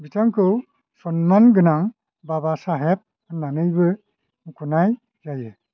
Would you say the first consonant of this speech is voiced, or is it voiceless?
voiced